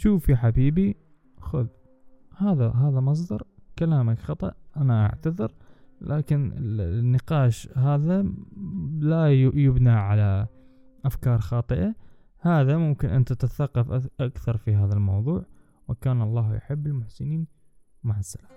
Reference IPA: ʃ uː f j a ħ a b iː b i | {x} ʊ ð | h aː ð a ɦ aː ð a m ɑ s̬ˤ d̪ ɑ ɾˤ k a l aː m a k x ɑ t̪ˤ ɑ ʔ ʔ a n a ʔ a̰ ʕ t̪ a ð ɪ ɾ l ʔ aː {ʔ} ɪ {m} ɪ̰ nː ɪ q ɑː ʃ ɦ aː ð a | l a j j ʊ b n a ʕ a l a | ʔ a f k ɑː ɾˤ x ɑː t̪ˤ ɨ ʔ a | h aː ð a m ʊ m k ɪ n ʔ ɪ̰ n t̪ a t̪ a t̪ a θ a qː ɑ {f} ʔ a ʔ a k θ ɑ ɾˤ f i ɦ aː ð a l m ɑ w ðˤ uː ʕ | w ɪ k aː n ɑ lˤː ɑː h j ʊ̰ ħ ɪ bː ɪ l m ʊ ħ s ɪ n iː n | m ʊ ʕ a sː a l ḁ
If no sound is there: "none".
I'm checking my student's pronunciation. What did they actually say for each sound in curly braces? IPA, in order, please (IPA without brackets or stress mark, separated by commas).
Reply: x, k, n, f